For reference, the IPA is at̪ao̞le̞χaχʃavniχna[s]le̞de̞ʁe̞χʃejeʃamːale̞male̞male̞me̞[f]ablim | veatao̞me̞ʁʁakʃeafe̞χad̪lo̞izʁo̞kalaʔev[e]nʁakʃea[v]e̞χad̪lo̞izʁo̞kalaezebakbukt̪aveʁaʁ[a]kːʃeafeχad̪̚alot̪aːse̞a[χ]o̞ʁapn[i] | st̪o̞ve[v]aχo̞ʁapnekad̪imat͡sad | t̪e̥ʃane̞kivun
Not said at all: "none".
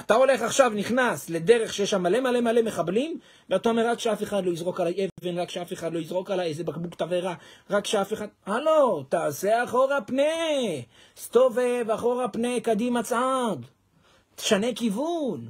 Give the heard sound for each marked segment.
s, χ, e, f, a, χ, e, v

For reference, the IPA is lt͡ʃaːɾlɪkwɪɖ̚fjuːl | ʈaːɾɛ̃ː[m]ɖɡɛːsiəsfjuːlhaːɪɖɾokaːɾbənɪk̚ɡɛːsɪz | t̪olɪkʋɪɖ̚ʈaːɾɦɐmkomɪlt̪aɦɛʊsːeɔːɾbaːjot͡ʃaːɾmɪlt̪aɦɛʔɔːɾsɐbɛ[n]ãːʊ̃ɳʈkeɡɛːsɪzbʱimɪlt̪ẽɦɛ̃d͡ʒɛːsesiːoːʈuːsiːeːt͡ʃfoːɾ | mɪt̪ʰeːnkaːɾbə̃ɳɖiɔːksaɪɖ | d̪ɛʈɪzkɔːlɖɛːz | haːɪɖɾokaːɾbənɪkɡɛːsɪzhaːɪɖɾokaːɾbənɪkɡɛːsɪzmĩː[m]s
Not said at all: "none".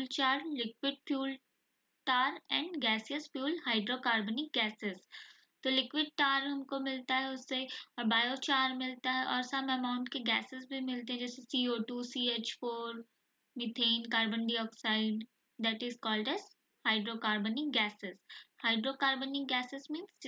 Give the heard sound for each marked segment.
ɳ, m, n

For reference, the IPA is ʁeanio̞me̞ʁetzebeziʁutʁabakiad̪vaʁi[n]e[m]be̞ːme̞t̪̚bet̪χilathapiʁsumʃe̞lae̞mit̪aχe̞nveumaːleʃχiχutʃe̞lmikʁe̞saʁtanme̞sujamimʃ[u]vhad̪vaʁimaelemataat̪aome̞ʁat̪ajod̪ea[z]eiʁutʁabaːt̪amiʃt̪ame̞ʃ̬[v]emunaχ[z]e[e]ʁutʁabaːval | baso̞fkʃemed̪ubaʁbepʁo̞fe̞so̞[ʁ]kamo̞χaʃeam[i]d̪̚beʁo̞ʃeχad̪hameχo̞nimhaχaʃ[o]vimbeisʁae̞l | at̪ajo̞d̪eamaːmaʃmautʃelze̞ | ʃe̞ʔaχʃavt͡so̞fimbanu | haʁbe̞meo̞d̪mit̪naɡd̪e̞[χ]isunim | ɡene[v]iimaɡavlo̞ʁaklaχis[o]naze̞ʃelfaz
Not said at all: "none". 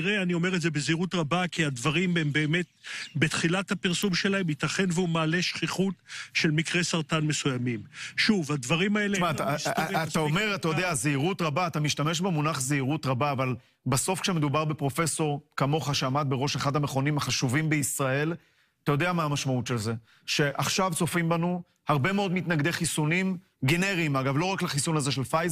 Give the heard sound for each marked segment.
m, m, u, z, b, z, i, ʁ, a, u, χ, ʁ, u

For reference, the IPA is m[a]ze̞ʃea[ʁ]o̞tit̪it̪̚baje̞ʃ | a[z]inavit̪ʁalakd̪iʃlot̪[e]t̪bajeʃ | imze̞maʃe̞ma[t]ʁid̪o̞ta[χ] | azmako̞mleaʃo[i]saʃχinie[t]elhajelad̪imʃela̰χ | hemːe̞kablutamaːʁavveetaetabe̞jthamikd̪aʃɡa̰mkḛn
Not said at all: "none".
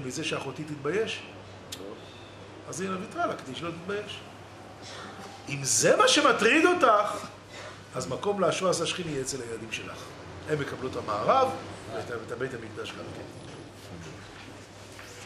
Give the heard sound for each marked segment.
i, χ, z, i, t, χ, a, t͡s

